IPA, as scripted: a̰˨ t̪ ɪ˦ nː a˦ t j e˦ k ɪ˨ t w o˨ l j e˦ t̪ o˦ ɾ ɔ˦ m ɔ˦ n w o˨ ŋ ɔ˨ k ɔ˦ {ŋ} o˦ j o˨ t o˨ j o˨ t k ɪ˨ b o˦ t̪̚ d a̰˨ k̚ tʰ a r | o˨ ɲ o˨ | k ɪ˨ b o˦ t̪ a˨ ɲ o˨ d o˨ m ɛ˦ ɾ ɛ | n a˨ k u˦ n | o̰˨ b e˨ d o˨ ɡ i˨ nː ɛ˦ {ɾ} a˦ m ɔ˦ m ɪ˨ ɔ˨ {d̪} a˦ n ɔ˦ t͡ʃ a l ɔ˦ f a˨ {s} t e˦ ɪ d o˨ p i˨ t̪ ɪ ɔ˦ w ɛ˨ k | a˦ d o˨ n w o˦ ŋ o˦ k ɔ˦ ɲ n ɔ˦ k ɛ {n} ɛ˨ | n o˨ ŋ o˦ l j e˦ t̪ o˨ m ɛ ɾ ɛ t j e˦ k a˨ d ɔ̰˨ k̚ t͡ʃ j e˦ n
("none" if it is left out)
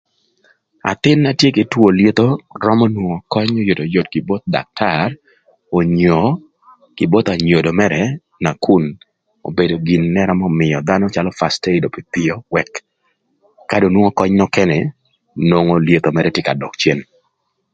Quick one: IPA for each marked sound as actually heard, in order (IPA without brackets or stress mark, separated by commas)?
ɲ, ɾ, d̪, s, n